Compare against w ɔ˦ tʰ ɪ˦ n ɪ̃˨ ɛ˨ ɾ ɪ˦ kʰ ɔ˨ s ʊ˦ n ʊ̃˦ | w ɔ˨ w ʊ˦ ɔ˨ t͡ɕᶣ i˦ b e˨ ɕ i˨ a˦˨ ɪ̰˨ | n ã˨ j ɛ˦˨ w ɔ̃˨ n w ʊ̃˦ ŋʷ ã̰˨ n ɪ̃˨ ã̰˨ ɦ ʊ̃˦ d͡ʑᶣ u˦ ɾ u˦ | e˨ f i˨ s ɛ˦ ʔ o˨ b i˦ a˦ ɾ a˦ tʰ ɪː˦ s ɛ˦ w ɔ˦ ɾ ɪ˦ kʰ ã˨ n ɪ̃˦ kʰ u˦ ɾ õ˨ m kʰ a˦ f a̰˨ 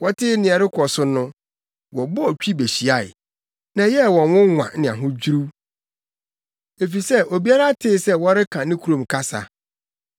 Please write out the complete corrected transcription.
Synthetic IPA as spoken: w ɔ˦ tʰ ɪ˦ n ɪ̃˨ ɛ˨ ɾ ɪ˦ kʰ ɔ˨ s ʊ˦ n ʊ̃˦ | w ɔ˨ b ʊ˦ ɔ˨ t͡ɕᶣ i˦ b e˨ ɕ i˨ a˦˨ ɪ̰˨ | n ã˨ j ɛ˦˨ w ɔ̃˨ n w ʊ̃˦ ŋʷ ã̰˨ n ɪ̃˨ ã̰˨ ɦ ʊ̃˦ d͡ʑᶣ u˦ ɾ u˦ | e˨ f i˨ s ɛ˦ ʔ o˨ b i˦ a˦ ɾ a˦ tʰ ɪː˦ s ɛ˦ w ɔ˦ ɾ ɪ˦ kʰ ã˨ n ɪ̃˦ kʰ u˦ ɾ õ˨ m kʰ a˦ s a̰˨